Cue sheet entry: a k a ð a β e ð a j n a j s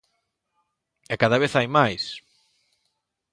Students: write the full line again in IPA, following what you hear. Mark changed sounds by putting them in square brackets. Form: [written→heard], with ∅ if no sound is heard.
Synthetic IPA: [a→ɛ] k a ð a β e [ð→θ] a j [n→m] a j s